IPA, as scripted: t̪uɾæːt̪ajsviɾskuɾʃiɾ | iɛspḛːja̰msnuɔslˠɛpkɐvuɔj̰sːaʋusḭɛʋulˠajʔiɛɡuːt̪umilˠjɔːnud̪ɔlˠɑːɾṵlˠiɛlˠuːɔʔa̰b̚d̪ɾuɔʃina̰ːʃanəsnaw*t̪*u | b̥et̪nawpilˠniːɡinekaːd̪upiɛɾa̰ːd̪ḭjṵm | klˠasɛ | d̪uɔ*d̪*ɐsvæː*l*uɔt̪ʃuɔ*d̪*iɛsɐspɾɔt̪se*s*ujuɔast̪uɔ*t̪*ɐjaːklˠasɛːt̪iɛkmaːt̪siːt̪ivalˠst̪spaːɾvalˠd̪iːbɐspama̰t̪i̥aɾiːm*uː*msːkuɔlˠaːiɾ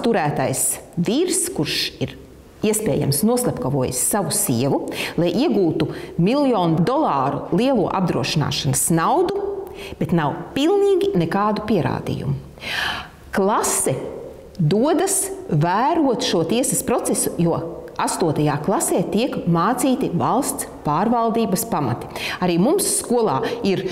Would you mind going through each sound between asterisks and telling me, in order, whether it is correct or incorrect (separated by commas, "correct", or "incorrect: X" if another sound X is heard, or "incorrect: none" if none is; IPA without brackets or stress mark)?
incorrect: d̪, correct, incorrect: ɾ, incorrect: t̪, correct, correct, incorrect: u